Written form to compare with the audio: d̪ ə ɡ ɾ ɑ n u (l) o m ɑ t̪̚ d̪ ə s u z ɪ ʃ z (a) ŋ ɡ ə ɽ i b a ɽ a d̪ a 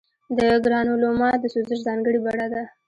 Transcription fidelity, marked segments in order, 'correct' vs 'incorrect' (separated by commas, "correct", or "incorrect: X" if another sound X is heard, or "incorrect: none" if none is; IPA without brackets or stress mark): correct, incorrect: ɑ